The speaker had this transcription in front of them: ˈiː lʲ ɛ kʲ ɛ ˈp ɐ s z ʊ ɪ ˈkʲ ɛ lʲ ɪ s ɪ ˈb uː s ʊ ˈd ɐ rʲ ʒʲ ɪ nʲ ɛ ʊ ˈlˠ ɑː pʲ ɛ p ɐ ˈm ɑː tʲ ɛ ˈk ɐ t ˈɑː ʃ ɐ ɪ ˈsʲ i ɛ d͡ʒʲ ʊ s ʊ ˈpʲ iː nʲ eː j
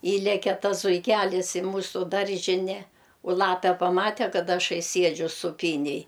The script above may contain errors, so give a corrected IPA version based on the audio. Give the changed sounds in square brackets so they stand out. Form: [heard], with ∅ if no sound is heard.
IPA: ˈiː lʲ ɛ kʲ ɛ [ˈt] ɐ s z ʊ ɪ ˈkʲ [æ] lʲ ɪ s ɪ [ˈm] uː s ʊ ˈd ɐ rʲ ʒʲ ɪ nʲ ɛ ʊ ˈlˠ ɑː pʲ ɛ p ɐ ˈm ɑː tʲ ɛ ˈk ɐ t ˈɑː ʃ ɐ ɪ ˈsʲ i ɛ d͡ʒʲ ʊ s ʊ ˈpʲ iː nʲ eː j